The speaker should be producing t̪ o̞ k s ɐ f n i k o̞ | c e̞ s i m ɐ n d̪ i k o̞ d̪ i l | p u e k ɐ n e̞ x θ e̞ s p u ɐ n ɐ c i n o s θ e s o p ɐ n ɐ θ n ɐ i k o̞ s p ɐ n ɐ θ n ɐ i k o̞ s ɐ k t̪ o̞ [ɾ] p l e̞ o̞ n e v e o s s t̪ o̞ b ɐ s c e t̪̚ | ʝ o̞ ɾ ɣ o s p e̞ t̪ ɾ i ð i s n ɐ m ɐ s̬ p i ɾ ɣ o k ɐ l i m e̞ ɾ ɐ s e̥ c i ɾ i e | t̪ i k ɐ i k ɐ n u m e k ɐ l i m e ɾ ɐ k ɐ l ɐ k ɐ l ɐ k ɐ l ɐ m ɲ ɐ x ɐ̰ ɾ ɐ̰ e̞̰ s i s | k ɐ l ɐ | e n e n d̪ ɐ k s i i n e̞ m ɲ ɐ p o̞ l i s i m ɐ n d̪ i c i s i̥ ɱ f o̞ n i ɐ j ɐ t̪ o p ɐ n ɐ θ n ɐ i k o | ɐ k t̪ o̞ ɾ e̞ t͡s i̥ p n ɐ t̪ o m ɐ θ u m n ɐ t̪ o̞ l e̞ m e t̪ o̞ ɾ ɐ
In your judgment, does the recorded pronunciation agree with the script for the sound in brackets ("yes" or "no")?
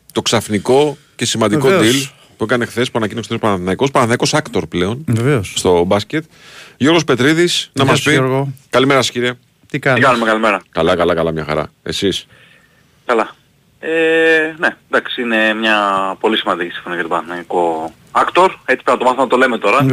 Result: yes